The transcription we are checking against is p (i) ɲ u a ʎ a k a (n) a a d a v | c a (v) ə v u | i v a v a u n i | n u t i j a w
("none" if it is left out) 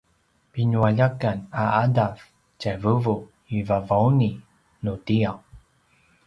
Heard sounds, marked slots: i, n, v

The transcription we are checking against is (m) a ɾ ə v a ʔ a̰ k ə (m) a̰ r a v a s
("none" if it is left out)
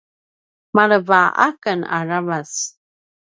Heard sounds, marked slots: m, n

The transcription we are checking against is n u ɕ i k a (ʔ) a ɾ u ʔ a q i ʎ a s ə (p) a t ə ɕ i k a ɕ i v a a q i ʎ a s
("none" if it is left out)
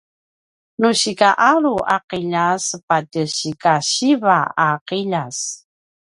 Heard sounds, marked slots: ʔ, p

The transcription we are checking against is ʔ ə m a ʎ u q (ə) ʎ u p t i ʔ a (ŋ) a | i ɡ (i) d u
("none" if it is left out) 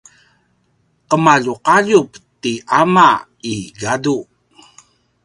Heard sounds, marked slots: a, m, a

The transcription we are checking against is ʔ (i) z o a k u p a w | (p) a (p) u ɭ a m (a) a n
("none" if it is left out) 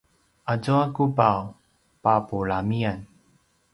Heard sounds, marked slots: a, p, p, i

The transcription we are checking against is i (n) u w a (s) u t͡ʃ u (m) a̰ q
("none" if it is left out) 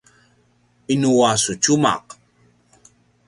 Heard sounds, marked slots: n, s, m

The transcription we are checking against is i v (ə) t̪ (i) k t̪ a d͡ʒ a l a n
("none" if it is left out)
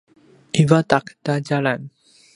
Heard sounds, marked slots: a, a

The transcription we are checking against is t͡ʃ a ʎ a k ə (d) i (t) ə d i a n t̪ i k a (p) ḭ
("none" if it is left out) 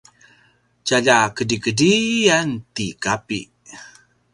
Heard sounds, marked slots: d, k, p

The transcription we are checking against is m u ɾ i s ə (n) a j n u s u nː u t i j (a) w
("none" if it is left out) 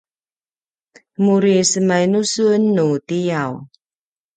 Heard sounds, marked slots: m, a

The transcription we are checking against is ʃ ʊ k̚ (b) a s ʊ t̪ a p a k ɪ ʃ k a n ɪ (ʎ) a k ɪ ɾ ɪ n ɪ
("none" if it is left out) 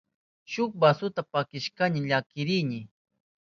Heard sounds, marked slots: b, ʎ

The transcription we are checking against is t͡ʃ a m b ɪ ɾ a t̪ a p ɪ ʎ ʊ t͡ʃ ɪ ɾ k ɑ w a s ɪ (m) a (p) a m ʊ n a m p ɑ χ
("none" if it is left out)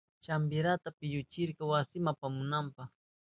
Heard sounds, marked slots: m, p

